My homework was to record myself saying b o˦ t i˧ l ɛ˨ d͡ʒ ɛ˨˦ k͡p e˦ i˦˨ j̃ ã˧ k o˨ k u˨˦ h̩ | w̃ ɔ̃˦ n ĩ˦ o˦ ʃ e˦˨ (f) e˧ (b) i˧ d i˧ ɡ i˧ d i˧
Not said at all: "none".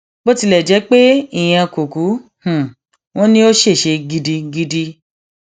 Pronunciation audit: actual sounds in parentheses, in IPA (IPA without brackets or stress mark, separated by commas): ʃ, ɡ